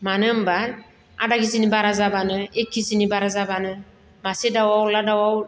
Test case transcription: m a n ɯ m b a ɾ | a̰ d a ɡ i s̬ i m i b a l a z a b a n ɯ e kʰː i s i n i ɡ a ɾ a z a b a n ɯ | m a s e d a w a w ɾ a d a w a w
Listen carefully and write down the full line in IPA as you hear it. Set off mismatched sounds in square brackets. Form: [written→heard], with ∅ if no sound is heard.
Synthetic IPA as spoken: m a n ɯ m b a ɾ | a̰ d a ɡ i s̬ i [m→n] i b a [l→ɾ] a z a b a n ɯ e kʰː i s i n i [ɡ→b] a ɾ a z a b a n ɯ | m a s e d a w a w [ɾ→l] a d a w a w